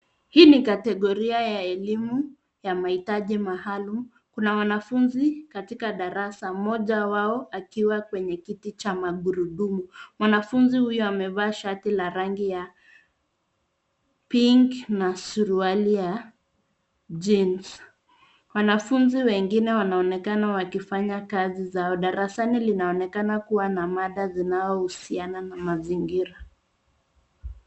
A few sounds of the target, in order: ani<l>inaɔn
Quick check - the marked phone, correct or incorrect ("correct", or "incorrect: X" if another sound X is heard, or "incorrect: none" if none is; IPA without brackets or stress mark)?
correct